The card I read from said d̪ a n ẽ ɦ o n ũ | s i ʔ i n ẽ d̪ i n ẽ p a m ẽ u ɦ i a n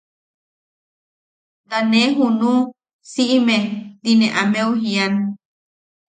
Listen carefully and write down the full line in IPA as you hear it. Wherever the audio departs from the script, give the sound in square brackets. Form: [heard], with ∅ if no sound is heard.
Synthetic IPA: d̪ a n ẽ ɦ [u] n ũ | s i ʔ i [m] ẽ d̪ i n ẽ [ʔ] a m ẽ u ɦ i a n